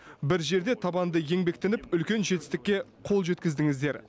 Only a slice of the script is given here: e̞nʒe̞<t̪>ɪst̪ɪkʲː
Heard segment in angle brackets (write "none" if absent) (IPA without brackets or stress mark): t̪